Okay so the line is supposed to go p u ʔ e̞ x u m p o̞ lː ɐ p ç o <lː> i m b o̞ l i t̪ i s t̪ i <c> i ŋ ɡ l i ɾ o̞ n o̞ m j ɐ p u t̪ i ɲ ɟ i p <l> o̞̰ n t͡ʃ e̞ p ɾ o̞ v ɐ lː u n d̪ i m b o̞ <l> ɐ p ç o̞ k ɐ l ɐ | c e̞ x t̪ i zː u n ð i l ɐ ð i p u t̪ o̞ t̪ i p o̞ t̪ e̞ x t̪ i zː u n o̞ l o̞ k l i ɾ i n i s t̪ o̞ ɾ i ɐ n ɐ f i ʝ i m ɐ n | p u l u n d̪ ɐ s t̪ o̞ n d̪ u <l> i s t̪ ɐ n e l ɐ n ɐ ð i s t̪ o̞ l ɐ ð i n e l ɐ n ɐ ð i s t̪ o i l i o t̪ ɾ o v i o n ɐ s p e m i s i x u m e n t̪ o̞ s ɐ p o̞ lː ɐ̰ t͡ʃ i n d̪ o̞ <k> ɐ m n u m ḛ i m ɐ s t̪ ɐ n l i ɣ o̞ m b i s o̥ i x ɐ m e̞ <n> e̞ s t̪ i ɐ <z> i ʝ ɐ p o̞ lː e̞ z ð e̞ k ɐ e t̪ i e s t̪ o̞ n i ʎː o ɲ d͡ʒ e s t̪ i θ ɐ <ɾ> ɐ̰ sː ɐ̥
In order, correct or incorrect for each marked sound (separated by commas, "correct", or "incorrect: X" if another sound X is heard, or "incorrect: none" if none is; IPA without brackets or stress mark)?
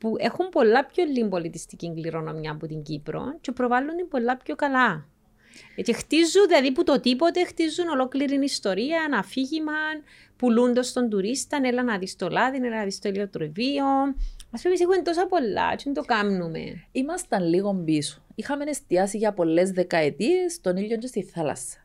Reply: correct, correct, incorrect: ɾ, incorrect: lː, incorrect: ɾ, correct, correct, incorrect: s, incorrect: l